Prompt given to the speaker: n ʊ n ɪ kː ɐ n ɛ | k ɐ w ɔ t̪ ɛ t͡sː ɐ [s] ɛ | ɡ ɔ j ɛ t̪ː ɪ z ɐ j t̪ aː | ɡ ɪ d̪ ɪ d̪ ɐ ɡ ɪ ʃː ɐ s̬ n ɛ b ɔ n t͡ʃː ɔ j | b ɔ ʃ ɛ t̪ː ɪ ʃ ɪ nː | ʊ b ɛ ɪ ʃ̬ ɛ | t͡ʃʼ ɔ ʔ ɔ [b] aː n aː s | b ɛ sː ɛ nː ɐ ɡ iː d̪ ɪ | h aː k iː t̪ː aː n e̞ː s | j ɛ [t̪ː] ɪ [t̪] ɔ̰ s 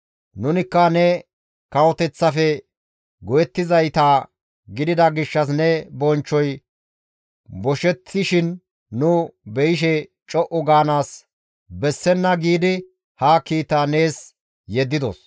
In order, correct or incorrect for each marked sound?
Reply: incorrect, incorrect, incorrect, incorrect

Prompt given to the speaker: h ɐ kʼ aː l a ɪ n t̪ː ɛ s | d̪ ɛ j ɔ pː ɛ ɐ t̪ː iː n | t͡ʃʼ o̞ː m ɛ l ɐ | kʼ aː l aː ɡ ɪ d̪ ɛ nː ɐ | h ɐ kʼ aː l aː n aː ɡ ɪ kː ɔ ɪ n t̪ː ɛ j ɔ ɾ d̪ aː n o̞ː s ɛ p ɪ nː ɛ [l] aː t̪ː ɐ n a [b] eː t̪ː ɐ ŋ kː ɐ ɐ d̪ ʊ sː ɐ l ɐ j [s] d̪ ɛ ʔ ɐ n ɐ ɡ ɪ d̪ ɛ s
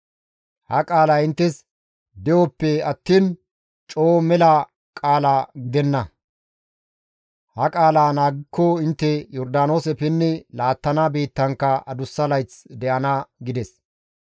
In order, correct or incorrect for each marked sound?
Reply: correct, correct, incorrect

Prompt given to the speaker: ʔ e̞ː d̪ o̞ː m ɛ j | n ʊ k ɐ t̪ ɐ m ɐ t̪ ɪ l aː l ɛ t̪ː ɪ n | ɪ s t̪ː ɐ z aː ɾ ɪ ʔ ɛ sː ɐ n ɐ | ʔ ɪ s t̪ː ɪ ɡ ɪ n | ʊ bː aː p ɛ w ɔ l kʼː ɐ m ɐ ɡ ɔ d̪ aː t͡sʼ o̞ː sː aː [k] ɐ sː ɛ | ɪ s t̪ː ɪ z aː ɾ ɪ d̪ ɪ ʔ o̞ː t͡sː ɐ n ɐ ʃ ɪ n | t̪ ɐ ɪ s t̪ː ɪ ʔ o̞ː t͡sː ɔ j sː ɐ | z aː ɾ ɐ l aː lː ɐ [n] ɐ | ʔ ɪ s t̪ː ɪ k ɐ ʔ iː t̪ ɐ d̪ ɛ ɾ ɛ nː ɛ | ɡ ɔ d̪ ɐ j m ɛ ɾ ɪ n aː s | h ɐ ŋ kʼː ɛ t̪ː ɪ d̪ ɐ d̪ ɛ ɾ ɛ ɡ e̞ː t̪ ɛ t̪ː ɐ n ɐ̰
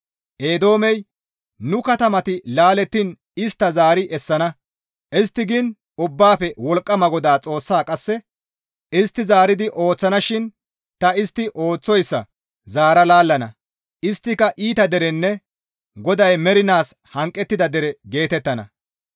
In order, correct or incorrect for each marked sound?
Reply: incorrect, correct

